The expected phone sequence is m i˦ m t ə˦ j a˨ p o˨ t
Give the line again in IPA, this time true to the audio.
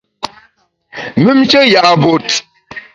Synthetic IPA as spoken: m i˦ m t͡ʃ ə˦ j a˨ b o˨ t